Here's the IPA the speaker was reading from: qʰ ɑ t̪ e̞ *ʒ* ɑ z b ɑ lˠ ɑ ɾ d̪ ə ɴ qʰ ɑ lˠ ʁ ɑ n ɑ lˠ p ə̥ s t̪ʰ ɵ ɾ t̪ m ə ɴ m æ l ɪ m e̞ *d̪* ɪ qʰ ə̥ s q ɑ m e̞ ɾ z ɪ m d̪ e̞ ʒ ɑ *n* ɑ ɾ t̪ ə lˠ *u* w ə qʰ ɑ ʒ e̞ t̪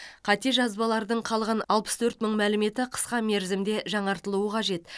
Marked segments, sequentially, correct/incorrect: correct, incorrect: t̪, incorrect: ɴ, correct

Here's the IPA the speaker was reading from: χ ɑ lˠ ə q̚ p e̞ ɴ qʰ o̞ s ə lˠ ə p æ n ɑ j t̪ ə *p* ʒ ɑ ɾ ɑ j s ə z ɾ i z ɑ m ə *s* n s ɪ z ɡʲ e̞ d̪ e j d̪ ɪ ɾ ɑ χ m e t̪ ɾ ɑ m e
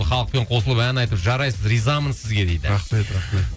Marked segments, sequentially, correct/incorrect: correct, incorrect: none

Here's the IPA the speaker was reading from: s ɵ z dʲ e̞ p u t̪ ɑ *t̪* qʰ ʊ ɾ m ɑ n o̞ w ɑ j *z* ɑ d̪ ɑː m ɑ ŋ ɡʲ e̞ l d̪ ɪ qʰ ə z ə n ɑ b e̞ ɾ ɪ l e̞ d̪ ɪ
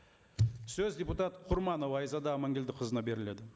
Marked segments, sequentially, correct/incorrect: correct, correct

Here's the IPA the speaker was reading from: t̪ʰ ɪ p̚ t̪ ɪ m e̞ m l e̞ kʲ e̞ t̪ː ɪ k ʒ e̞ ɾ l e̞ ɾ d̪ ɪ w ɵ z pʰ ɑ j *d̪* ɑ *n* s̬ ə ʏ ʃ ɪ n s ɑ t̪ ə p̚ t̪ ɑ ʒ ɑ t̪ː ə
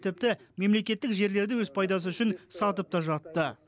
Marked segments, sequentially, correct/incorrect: correct, incorrect: none

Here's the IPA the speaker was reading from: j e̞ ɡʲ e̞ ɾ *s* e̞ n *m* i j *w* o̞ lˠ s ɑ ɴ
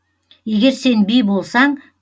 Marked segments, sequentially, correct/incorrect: correct, incorrect: b, incorrect: b

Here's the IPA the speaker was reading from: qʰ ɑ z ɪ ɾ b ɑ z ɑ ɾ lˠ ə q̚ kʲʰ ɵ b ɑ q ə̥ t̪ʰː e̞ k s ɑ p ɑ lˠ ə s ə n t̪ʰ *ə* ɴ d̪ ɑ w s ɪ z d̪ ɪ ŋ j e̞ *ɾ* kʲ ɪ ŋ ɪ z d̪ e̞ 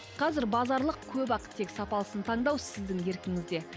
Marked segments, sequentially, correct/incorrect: incorrect: ɑ, correct

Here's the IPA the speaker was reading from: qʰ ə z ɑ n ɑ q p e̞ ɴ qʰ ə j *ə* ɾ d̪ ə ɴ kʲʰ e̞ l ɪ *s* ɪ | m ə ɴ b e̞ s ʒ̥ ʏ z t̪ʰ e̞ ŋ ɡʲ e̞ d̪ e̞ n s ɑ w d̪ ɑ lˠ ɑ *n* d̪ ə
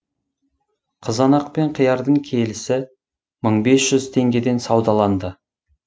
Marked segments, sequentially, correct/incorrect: incorrect: ɑ, correct, correct

